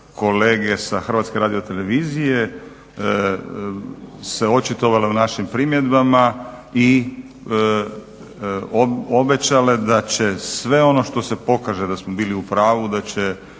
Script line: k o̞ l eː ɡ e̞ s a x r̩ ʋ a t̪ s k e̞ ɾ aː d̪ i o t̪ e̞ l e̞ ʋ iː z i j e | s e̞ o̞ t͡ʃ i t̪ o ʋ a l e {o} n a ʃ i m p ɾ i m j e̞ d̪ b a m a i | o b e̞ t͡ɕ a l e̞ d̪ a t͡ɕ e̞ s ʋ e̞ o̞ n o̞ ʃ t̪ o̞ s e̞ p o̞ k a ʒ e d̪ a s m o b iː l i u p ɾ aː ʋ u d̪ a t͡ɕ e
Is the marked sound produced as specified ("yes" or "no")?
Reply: no